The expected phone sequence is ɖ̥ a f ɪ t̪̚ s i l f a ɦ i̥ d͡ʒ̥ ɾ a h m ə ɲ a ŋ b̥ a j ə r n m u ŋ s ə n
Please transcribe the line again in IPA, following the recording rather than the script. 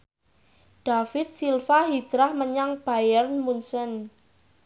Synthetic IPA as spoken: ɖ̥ a f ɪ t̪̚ s i l f a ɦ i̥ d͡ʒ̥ ɾ a h m ə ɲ a ŋ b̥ a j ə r n m u n s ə n